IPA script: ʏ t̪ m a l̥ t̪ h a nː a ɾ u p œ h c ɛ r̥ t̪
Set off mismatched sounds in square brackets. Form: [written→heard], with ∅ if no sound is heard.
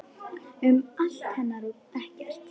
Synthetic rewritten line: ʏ [t̪→∅] m a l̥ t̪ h [a→ɛ] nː a ɾ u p [œ→ɛ] h c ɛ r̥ t̪